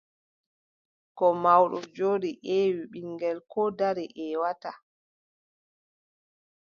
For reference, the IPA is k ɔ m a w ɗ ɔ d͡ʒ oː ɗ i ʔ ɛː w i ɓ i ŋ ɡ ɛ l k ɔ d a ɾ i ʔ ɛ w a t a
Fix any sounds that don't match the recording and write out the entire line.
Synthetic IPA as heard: k ɔ m a w ɗ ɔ d͡ʒ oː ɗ i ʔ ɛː w i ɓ i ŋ ɡ ɛ l k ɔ d a ɾ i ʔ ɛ w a t a